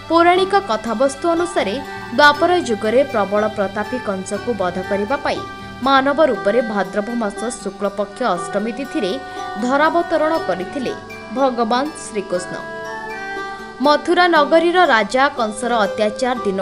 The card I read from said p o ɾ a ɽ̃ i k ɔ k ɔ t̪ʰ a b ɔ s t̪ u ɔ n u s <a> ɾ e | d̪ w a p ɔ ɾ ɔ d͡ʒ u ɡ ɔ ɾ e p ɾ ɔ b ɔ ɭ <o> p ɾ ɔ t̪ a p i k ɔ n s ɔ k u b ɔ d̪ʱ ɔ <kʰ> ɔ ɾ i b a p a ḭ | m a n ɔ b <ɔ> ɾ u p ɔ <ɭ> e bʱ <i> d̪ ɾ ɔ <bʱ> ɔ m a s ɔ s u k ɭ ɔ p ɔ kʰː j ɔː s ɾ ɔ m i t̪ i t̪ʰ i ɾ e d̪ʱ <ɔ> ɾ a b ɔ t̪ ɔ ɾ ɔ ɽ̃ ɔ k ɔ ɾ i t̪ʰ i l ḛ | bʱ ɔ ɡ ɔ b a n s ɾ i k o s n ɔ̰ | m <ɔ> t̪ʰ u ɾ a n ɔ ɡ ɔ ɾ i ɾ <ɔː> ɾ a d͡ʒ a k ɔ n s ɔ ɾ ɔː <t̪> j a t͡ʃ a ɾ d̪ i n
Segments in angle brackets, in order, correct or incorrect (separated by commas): correct, incorrect, incorrect, correct, incorrect, incorrect, correct, correct, correct, incorrect, correct